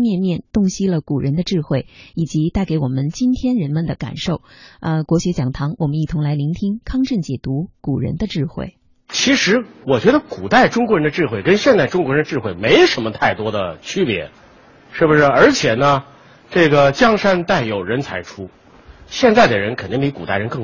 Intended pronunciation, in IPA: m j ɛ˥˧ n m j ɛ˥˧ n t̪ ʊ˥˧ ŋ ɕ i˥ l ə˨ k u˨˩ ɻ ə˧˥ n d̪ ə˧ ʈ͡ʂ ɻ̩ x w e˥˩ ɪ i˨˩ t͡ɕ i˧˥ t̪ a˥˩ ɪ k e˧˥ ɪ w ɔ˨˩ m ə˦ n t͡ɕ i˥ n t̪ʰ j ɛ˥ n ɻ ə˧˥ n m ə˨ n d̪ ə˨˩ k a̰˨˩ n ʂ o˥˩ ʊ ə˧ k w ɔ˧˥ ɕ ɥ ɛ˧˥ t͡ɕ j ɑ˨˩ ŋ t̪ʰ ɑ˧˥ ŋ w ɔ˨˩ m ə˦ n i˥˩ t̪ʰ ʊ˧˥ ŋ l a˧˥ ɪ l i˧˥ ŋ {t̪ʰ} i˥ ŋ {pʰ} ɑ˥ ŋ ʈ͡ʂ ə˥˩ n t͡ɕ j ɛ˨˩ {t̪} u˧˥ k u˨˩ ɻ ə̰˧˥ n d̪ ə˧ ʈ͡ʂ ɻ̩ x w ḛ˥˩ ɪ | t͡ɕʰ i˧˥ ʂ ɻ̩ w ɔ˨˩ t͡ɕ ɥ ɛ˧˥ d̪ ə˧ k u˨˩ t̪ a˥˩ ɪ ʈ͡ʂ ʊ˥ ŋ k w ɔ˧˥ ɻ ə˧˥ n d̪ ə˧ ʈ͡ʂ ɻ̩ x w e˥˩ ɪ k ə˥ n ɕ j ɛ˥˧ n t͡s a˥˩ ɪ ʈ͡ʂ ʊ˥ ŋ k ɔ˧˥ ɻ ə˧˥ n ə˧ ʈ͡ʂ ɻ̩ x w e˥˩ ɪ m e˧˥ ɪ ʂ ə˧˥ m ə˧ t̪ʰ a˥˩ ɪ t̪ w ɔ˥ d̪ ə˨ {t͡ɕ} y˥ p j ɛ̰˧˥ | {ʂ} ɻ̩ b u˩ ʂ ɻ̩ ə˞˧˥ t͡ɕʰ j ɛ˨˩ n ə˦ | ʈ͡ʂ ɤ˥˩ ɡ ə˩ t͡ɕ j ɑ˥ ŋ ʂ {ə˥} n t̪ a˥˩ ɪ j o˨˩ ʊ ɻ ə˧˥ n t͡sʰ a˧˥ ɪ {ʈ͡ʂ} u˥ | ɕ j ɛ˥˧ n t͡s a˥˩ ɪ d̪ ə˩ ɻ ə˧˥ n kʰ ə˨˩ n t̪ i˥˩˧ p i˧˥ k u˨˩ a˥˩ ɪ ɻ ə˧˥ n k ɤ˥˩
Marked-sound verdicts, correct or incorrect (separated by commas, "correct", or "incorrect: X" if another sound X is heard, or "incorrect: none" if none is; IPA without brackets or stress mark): correct, incorrect: kʰ, correct, incorrect: t͡ɕʰ, correct, incorrect: a˥, incorrect: ʈ͡ʂʰ